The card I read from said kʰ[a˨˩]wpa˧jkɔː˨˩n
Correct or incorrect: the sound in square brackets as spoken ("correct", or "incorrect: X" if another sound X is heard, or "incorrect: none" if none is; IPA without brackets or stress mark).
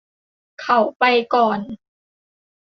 correct